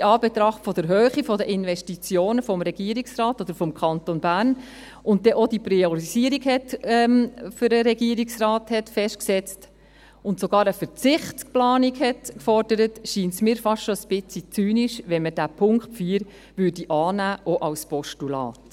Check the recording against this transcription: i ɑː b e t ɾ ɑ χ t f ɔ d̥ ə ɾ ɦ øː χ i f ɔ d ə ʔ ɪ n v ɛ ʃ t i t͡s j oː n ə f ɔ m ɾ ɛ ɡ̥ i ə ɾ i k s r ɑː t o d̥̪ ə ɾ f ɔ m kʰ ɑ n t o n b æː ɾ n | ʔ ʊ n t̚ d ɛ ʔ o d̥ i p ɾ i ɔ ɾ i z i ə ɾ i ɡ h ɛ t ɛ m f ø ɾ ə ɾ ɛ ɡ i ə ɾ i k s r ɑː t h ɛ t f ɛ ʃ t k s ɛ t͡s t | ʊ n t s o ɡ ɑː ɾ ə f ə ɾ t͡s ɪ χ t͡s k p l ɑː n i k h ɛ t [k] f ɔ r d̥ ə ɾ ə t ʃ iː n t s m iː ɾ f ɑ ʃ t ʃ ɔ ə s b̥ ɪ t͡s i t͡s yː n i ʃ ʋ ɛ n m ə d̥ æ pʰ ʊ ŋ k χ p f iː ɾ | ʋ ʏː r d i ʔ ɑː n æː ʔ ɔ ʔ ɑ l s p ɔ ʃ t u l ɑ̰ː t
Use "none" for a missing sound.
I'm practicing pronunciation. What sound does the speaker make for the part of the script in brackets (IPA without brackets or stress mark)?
k